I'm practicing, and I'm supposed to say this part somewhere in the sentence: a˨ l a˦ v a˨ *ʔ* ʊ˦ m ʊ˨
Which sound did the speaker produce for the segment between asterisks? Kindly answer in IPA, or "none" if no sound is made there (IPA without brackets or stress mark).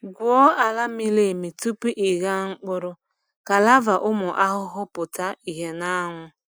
ʔ